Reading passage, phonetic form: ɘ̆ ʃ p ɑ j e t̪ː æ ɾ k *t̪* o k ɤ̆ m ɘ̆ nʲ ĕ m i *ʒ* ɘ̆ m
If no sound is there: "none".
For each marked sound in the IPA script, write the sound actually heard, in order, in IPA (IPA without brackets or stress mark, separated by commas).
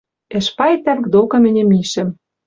d̪, ʃ